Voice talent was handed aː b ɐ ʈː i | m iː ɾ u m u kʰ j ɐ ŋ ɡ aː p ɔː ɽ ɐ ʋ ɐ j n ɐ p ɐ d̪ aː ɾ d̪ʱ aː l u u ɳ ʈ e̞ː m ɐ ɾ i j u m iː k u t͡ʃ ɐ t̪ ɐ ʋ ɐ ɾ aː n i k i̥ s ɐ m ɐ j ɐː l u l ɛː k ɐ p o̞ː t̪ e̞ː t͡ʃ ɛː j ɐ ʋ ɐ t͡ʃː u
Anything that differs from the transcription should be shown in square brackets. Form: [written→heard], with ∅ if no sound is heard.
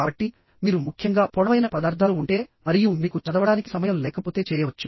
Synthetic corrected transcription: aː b ɐ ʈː i | m iː ɾ u m u kʰ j ɐ ŋ ɡ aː p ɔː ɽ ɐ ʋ ɐ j n ɐ p ɐ d̪ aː ɾ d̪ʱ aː l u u ɳ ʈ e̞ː m ɐ ɾ i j u m iː k u t͡ʃ ɐ [t̪→d̪] ɐ ʋ ɐ [ɾ→ɽ] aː n i k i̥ s ɐ m ɐ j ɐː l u l ɛː k ɐ p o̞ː t̪ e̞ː t͡ʃ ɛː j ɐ ʋ ɐ t͡ʃː u